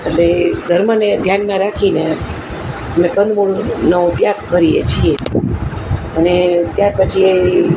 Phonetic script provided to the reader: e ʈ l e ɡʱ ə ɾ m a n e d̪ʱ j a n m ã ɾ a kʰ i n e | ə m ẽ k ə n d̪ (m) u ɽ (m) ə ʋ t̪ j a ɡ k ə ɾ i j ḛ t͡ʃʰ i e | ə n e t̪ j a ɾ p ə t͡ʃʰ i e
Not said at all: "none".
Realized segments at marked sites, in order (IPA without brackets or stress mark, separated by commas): m, n